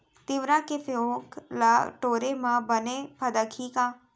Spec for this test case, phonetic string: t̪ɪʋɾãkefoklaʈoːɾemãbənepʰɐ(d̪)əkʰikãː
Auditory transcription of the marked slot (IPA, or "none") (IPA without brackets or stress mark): d̪